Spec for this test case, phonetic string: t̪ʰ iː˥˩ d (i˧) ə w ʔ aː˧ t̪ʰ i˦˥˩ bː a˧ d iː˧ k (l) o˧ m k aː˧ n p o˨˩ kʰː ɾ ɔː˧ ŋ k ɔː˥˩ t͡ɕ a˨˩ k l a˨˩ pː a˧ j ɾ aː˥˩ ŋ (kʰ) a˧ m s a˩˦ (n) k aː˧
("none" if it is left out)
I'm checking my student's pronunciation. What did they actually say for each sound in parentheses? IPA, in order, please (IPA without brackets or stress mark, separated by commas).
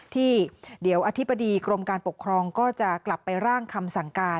i˩˦, ɾ, kʰ, ŋ